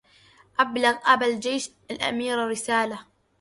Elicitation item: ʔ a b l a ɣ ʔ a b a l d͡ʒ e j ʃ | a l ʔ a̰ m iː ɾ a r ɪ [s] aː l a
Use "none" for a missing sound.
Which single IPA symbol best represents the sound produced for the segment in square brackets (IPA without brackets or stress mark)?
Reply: s